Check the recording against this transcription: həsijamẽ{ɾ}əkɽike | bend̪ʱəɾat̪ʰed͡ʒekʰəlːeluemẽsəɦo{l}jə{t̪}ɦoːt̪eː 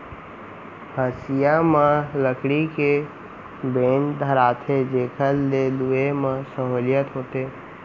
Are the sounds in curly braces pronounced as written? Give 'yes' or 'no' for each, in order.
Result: no, yes, yes

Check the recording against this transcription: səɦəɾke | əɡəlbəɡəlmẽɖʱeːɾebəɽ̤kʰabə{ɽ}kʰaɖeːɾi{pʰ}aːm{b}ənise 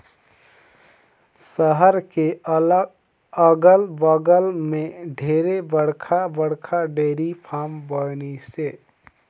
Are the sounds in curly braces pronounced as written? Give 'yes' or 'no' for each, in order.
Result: yes, yes, yes

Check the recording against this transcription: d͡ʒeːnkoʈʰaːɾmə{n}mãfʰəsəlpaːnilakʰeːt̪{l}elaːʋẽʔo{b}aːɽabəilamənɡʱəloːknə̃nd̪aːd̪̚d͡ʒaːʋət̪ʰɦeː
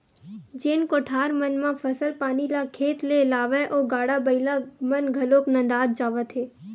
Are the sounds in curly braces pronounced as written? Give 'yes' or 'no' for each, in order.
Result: yes, yes, no

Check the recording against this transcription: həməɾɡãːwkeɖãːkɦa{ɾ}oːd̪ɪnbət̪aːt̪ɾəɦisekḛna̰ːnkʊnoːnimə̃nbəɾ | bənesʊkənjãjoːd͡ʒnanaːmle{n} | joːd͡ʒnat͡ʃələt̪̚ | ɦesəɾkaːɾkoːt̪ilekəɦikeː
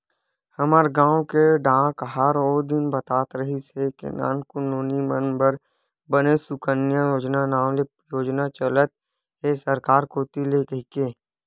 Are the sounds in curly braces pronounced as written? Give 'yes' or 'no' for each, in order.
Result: yes, no

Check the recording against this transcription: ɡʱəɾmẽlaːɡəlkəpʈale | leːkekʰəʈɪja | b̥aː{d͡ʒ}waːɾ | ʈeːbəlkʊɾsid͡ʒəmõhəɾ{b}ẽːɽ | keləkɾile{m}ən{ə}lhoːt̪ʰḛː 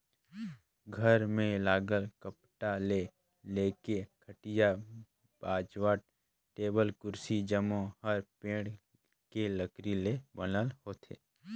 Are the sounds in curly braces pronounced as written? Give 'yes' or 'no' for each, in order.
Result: yes, no, no, yes

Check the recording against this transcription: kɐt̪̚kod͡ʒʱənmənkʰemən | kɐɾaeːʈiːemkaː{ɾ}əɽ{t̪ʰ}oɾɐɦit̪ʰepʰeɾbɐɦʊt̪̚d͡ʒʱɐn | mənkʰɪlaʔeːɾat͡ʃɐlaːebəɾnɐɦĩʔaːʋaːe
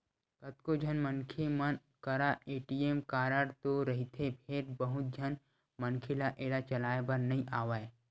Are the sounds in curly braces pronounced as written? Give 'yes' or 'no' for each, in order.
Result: yes, no

